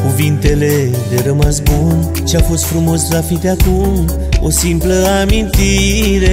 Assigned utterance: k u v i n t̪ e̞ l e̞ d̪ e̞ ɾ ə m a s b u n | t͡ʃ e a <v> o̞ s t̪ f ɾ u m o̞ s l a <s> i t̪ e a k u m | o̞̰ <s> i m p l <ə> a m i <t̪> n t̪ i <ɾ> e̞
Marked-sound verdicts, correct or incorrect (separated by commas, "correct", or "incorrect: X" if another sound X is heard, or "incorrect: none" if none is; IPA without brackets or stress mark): incorrect: f, incorrect: f, correct, correct, incorrect: none, correct